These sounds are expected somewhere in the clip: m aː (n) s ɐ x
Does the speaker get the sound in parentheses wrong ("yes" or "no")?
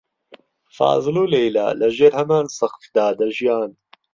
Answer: no